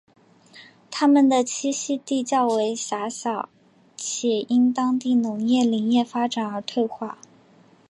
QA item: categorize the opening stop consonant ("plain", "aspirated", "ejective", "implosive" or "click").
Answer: aspirated